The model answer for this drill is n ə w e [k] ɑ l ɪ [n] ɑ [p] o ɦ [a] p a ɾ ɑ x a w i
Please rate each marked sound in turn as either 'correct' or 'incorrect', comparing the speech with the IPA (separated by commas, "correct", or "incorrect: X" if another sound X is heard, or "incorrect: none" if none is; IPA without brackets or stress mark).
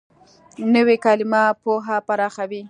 correct, incorrect: m, correct, correct